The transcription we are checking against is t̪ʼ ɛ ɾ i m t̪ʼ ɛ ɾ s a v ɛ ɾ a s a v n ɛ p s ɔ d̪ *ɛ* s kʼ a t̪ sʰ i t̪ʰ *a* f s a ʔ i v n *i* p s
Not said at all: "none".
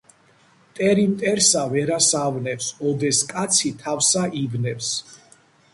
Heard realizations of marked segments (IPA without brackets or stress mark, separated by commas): ɛ, a, ɛ